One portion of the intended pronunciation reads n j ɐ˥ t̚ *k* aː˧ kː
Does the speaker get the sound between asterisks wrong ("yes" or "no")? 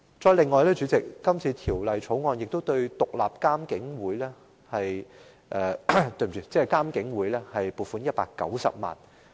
yes